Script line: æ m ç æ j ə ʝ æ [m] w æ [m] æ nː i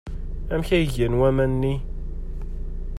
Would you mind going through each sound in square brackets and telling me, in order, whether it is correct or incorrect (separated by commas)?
incorrect, correct